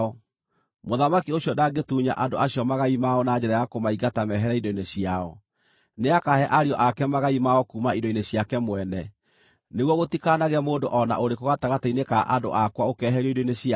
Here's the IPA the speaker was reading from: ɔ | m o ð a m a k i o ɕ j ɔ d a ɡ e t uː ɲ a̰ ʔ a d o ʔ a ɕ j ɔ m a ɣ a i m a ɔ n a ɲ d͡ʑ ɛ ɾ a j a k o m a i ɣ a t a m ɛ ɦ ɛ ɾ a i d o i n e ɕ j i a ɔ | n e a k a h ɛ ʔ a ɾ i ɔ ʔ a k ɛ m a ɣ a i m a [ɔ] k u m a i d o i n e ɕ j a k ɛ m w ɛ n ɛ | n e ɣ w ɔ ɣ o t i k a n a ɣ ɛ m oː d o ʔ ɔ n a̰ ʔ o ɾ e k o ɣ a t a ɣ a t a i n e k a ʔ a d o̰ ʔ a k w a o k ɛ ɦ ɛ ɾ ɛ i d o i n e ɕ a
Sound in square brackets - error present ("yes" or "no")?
no